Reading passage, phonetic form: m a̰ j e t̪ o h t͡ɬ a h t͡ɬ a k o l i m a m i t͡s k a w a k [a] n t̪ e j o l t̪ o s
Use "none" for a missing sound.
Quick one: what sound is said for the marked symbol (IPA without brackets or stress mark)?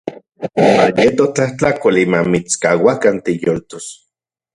a